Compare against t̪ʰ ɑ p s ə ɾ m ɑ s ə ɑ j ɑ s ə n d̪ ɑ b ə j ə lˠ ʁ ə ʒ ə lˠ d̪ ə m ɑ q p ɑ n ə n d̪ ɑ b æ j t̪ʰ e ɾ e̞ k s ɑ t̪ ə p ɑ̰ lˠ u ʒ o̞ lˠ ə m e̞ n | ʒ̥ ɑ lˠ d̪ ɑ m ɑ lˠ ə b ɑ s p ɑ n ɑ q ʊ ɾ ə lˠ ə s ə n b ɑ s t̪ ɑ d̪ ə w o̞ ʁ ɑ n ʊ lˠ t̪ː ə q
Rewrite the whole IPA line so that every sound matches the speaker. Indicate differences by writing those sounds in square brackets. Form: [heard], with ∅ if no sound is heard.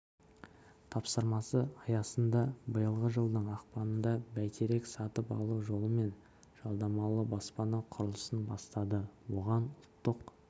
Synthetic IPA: t̪ʰ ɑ p s ə ɾ m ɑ s ə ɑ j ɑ s ə n d̪ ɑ b ə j ə lˠ ʁ ə ʒ ə lˠ d̪ ə [ɴ] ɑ q p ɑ n ə n d̪ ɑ b æ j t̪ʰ e ɾ e̞ k s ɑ t̪ ə p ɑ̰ lˠ u ʒ o̞ lˠ ə m e̞ n | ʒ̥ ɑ lˠ d̪ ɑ m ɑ lˠ ə b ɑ s p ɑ n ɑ [qʰ] ʊ ɾ ə lˠ ə s ə n b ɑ s t̪ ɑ d̪ ə w o̞ ʁ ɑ n ʊ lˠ t̪ː ə q